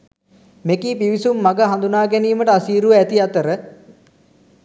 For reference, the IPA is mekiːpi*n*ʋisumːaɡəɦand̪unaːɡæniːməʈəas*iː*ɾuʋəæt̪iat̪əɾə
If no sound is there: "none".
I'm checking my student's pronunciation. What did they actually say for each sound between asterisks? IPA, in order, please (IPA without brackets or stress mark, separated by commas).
none, iː